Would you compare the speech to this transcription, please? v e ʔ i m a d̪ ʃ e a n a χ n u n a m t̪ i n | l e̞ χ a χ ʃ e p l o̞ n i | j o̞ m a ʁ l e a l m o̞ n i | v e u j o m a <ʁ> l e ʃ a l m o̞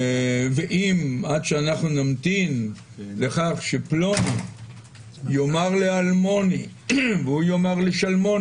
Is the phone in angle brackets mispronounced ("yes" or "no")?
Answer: no